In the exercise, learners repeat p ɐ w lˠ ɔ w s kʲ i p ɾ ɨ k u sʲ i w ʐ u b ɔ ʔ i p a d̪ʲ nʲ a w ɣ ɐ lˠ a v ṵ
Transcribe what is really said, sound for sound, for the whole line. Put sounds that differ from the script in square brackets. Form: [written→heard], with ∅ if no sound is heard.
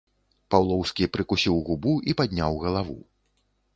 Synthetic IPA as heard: p [ɐ→a] w lˠ ɔ w s kʲ i p ɾ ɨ k u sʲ i w [ʐ→ɣ] u b [ɔ→u] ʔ i p a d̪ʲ nʲ a w ɣ ɐ lˠ a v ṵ